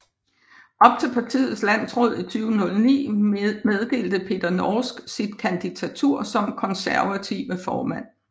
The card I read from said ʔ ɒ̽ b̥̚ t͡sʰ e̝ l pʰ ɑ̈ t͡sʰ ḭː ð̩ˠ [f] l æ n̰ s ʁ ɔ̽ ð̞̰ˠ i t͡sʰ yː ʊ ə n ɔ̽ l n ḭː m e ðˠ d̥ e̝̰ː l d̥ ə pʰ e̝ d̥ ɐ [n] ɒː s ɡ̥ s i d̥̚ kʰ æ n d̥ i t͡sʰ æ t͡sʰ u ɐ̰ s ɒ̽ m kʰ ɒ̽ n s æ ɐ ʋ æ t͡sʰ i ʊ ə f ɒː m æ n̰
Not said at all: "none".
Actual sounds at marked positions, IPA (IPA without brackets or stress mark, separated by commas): s, n